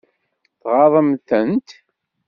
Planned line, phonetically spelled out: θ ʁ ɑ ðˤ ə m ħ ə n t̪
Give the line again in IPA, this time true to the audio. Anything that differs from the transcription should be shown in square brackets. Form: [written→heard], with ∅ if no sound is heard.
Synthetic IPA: θ ʁ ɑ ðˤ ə m [ħ→θ] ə n t̪